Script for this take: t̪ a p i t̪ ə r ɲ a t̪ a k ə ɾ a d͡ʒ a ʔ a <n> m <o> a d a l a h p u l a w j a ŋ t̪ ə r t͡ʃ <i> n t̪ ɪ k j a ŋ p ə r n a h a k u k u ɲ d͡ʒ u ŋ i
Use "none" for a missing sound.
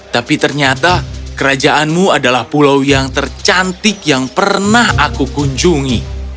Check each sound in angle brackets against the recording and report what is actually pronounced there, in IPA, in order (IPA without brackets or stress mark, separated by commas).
n, u, a